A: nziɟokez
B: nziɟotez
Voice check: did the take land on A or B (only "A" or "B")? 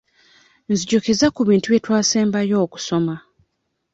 A